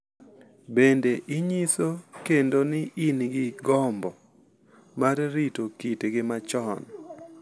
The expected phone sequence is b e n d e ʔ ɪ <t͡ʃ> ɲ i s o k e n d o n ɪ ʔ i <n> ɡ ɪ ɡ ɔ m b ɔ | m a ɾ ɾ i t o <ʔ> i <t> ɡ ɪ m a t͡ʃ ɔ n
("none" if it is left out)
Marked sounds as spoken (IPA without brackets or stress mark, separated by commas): none, n, k, t